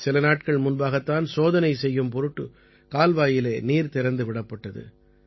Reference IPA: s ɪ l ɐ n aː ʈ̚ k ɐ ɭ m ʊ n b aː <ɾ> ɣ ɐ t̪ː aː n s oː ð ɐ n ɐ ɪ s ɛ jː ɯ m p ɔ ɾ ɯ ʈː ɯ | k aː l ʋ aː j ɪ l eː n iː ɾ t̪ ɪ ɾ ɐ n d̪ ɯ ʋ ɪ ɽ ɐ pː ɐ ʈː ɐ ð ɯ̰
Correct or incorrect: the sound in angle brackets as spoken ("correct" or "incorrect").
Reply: incorrect